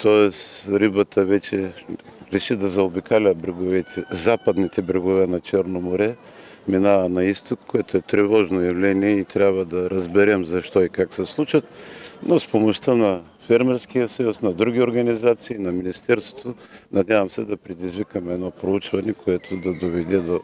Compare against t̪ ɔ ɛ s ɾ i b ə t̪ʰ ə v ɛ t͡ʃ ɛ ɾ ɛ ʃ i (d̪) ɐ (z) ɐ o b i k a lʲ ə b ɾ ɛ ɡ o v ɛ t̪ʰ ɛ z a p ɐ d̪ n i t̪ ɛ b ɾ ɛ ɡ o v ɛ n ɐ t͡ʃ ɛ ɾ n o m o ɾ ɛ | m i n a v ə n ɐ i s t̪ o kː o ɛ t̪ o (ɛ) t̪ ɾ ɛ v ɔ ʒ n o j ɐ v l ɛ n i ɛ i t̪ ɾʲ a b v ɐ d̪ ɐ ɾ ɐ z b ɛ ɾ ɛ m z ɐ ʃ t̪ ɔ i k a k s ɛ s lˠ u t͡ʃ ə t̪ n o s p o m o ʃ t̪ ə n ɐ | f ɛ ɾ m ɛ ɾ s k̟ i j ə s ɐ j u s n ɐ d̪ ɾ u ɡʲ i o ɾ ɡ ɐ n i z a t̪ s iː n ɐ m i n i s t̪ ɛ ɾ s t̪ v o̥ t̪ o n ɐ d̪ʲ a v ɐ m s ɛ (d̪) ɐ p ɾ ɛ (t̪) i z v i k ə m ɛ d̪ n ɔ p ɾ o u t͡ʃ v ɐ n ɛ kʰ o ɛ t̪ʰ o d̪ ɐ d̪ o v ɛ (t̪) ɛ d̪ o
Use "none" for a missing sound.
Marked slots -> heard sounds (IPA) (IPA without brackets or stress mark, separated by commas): d̪, z, ɛ, d̪, d̪, d̪